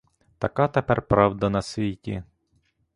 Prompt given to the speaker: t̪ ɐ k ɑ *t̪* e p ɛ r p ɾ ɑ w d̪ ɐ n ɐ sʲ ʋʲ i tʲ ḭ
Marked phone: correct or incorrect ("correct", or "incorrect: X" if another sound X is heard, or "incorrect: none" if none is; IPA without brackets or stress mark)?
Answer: correct